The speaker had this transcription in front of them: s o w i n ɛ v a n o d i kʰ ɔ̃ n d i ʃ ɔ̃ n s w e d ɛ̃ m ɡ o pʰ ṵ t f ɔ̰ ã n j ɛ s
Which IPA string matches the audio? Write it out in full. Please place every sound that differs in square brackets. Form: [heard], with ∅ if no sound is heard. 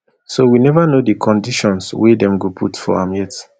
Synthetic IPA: s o w i n ɛ v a n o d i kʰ ɔ̃ n d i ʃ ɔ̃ n s w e d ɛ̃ m ɡ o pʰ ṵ t f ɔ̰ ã [m] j ɛ [t]